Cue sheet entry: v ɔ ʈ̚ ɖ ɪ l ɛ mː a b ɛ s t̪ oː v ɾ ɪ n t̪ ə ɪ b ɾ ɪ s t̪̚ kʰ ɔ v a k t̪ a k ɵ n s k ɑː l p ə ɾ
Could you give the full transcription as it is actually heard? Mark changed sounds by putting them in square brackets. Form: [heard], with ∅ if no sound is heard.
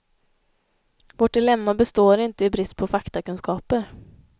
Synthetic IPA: v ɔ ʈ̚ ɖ ɪ l ɛ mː a b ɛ s t̪ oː [∅] ɾ ɪ n t̪ ə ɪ b ɾ ɪ s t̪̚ [pʰ] ɔ [f] a k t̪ a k ɵ n s k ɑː [∅] p ə ɾ